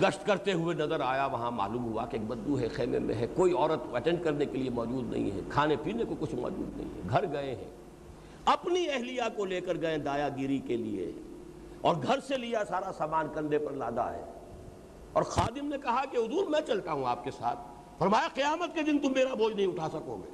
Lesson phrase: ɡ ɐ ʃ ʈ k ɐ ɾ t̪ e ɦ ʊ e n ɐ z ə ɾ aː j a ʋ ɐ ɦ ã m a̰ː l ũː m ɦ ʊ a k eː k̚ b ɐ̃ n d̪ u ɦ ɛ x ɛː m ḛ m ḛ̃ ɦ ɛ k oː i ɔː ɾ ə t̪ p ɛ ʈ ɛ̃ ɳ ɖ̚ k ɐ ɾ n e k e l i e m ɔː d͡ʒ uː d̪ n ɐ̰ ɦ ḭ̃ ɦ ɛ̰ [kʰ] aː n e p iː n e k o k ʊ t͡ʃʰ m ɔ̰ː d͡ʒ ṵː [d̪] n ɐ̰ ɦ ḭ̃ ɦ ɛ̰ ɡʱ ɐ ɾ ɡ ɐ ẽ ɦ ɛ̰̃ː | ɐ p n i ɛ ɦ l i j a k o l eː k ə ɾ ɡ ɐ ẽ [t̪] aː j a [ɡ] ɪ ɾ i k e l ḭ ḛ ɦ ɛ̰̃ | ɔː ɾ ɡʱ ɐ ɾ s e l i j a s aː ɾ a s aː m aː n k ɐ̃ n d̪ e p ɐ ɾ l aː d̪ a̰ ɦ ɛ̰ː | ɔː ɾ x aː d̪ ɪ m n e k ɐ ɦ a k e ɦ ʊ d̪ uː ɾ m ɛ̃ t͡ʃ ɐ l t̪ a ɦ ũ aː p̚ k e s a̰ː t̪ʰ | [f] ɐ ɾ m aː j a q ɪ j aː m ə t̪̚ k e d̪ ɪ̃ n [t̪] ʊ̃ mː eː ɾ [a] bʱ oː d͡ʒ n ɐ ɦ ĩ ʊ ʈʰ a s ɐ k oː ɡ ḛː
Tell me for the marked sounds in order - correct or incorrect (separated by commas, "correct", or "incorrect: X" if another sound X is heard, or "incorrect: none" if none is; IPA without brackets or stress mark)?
correct, correct, incorrect: d̪, correct, correct, correct, correct